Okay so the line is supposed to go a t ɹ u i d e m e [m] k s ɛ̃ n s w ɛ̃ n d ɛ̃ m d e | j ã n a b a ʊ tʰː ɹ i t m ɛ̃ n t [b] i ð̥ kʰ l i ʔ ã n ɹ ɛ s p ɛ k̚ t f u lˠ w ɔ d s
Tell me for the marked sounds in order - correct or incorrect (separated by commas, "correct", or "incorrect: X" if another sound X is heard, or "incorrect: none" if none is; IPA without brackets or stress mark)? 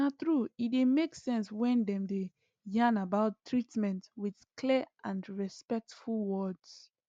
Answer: incorrect: none, incorrect: w